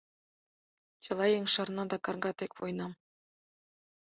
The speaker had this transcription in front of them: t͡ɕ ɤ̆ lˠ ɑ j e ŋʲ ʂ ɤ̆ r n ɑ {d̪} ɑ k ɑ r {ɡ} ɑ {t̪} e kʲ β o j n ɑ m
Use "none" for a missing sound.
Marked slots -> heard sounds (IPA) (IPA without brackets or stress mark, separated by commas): d̪, ɡ, t̪